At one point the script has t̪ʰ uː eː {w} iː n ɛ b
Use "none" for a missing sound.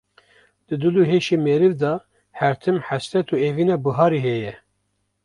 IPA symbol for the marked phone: v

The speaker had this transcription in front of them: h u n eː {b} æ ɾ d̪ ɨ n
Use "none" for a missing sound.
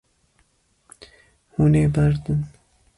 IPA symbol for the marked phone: b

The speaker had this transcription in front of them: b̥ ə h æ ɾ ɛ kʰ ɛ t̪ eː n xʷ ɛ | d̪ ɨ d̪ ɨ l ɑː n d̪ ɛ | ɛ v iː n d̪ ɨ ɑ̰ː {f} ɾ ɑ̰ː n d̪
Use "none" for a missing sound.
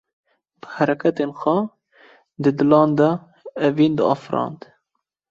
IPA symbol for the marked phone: f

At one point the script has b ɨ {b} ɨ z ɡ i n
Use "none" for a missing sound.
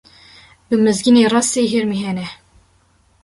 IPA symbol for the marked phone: m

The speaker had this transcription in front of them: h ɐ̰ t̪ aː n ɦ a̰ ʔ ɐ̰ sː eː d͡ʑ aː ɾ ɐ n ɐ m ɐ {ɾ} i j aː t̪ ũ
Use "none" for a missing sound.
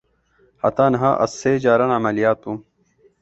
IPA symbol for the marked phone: l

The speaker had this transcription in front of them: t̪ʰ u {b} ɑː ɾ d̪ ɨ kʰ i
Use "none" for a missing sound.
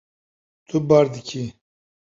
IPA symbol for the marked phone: b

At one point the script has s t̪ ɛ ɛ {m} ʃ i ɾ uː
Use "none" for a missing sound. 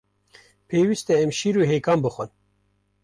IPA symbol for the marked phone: m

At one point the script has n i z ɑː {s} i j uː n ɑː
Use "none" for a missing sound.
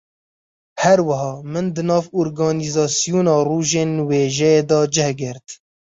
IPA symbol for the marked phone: s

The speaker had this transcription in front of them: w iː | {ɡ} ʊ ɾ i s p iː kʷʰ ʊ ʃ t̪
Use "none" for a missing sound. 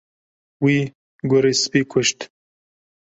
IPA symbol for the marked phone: ɡ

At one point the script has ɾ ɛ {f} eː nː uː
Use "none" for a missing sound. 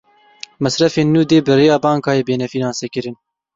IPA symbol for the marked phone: f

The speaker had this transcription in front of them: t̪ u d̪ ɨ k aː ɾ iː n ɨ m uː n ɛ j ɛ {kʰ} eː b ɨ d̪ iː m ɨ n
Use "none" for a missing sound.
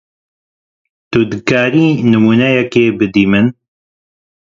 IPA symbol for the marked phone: k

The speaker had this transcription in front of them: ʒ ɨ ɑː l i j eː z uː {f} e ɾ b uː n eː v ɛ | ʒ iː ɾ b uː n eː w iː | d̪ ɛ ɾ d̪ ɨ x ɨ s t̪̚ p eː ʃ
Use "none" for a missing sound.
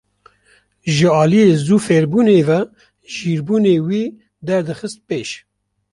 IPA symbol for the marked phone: f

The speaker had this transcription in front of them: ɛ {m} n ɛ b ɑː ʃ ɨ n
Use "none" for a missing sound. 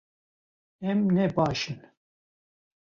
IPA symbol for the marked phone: m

